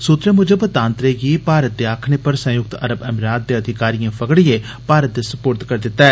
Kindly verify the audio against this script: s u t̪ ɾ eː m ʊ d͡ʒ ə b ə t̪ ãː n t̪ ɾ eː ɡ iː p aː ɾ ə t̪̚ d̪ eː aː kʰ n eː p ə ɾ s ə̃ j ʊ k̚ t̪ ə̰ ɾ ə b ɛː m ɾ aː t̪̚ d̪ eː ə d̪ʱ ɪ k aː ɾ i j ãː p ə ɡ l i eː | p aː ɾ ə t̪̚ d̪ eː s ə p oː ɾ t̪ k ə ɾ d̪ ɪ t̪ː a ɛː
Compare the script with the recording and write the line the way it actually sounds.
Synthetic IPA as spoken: s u t̪ ɾ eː m ʊ d͡ʒ ə b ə t̪ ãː n t̪ ɾ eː ɡ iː p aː ɾ ə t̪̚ d̪ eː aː kʰ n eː p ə ɾ s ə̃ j ʊ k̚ t̪ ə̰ ɾ ə b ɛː m ɾ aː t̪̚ d̪ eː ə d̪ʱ ɪ k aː ɾ i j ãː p ə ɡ ɽ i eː | p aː ɾ ə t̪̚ d̪ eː s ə p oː ɾ t̪ k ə ɾ d̪ ɪ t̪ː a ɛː